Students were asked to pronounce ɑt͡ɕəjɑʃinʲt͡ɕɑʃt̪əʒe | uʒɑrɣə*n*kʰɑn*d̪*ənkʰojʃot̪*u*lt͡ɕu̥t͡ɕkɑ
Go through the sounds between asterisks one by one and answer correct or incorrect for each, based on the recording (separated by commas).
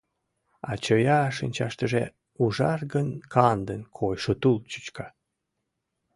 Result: correct, correct, correct